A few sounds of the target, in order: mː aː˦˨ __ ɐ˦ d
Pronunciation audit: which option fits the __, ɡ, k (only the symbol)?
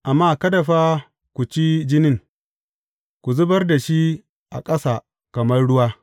k